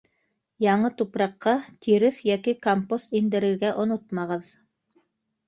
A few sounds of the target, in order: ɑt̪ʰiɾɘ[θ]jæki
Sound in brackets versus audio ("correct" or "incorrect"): correct